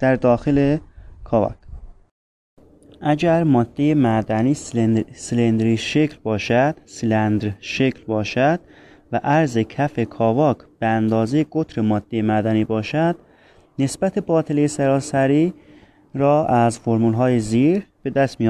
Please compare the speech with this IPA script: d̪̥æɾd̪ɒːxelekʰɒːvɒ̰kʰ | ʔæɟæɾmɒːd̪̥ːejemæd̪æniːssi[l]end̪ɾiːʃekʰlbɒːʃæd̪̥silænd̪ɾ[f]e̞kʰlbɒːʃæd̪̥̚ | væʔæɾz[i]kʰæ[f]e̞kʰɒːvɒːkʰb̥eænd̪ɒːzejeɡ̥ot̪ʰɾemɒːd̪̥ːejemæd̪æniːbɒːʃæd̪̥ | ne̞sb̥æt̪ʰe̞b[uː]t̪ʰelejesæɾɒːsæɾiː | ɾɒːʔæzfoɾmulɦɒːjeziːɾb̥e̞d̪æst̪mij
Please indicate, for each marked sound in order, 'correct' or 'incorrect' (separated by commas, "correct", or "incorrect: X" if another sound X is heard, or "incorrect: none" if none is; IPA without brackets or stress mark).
correct, incorrect: ʃ, incorrect: e, correct, incorrect: ɒː